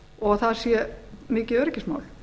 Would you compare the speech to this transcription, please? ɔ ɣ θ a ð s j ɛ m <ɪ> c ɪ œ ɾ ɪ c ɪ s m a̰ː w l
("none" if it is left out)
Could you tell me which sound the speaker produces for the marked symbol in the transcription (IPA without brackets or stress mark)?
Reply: ɪː